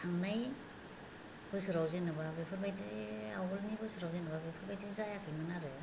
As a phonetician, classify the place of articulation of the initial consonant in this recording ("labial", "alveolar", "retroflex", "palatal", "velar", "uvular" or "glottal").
velar